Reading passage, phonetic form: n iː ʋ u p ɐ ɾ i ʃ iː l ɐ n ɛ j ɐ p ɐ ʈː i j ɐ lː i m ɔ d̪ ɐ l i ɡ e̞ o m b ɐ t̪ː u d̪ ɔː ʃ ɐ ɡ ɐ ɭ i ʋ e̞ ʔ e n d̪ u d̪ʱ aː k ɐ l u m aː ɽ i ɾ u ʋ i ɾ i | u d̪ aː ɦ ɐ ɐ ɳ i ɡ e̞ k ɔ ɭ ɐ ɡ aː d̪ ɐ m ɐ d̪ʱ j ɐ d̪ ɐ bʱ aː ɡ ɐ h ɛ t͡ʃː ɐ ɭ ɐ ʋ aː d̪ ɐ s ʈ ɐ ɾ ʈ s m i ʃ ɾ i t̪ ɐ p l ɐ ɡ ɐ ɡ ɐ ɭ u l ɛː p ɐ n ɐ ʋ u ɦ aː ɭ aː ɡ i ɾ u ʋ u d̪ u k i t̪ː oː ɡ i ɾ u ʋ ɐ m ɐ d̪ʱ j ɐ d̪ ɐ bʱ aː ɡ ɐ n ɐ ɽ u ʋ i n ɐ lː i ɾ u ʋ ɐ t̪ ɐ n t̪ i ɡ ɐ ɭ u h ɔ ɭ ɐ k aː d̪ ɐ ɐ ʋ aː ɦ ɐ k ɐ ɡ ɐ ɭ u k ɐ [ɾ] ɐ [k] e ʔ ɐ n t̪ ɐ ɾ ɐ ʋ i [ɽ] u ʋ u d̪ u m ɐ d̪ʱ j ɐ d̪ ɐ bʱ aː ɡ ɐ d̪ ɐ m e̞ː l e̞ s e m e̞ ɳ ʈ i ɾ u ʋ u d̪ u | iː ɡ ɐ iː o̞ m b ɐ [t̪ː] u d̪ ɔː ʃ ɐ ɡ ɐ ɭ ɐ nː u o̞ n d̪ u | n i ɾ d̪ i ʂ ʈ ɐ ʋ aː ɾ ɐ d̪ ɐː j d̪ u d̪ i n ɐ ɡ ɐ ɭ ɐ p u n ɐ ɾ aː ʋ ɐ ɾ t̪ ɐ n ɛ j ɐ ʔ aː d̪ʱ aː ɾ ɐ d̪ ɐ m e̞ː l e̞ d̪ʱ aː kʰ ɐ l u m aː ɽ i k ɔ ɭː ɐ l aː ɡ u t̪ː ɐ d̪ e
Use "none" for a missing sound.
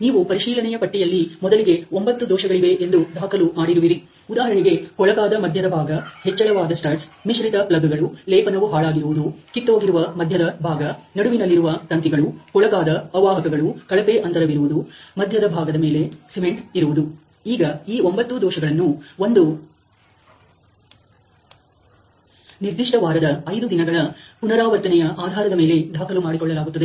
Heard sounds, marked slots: ɭ, p, ɾ, t̪ː

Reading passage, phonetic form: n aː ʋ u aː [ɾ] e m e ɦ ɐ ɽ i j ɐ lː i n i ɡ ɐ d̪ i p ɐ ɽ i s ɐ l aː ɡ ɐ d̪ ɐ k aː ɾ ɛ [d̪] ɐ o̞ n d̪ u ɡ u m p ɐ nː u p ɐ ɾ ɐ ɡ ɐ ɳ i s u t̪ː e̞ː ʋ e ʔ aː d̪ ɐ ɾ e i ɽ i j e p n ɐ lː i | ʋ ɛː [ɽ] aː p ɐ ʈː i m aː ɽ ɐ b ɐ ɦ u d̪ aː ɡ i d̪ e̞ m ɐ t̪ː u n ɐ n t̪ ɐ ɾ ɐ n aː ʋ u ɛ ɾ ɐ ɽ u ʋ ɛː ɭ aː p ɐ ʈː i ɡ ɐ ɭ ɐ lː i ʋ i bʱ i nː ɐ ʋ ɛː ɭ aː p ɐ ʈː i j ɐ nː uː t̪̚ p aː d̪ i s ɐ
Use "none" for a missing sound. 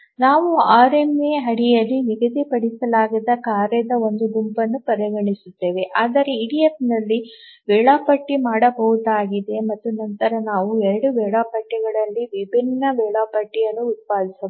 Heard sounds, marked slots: ɾ, d̪, ɭ

